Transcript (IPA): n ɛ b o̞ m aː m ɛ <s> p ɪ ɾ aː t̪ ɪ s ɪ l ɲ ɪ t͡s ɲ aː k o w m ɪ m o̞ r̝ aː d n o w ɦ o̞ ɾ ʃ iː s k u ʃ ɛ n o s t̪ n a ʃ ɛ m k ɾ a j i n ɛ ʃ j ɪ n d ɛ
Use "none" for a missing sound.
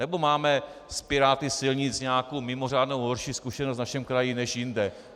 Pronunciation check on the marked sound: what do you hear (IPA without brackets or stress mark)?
s